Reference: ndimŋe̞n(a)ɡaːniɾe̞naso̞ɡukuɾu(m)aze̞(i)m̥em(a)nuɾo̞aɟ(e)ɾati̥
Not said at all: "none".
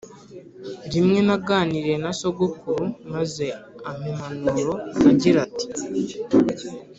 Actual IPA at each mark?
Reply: a, m, a, a, i

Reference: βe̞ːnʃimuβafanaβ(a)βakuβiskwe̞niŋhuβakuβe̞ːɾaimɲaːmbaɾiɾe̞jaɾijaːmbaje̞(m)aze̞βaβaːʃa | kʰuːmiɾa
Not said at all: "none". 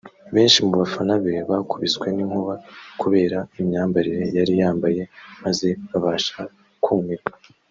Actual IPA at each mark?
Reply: e, m

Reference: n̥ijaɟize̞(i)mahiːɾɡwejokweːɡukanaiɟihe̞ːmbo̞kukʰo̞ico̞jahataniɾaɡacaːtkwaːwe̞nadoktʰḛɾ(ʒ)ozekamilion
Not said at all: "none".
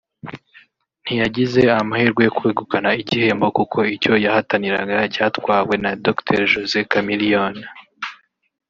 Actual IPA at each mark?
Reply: a, ʒ

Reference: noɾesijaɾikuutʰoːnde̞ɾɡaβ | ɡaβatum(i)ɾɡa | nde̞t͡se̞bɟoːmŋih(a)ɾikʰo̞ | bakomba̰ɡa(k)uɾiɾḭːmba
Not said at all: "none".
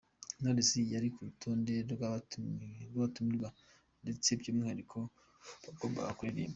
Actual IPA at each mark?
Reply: i, a, k

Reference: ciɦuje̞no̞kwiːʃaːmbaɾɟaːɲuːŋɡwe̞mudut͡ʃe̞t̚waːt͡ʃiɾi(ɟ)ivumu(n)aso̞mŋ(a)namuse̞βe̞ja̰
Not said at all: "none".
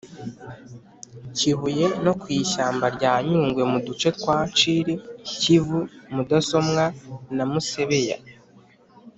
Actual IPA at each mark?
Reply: c, d, a

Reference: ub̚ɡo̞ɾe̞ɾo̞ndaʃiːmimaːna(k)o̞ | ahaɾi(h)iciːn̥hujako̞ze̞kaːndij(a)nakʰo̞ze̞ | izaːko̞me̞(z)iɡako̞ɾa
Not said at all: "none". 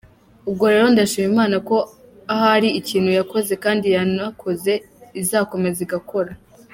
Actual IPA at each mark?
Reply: k, none, a, z

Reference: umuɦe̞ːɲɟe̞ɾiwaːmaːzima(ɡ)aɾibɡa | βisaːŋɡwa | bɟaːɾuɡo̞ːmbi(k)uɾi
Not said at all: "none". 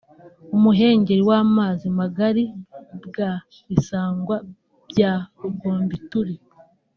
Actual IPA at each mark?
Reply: ɡ, t

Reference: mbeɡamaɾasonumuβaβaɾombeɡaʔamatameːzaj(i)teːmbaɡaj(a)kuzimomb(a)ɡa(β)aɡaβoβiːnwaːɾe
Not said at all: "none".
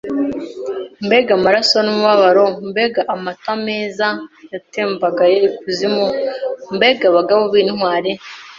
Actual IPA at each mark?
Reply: a, e, e, β

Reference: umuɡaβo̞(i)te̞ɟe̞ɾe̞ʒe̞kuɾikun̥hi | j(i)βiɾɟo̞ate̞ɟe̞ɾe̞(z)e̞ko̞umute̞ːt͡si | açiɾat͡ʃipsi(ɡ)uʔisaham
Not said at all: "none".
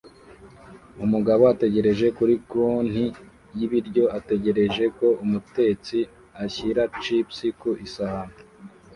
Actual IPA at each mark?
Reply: a, i, ʒ, k

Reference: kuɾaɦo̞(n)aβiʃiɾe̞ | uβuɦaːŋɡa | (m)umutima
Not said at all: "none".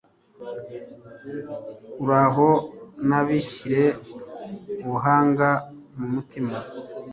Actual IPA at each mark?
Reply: n, m

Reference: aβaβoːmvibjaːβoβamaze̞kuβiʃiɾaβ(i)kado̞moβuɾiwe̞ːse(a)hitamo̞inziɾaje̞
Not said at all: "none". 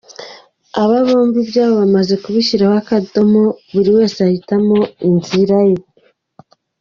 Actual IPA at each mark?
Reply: a, a

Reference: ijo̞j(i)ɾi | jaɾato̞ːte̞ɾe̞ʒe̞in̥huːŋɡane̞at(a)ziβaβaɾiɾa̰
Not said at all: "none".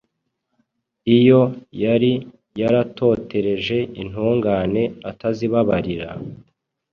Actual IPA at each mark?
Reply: a, a

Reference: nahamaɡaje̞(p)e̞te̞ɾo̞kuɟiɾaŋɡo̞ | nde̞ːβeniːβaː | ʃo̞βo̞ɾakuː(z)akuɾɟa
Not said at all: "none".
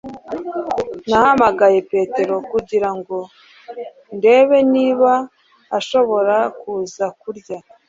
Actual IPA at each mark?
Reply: p, z

